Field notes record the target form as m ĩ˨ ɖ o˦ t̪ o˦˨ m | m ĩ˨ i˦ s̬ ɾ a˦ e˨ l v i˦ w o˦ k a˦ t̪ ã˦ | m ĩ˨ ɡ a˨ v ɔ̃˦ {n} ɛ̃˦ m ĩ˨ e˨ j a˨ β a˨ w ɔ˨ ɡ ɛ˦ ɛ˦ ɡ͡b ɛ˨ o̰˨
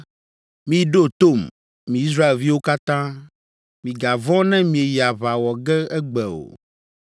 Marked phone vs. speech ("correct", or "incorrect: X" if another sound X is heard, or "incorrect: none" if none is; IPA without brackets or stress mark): correct